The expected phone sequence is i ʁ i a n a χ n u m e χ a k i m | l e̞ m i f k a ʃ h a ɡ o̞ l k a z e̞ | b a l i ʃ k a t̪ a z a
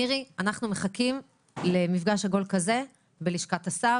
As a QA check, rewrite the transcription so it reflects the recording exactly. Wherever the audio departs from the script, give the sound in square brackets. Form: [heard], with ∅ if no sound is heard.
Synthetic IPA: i ʁ i a n a χ n u m e χ a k i m | l e̞ m i f [ɡ] a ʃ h a ɡ o̞ l k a z e̞ | b [e] l i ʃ k a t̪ a [s] a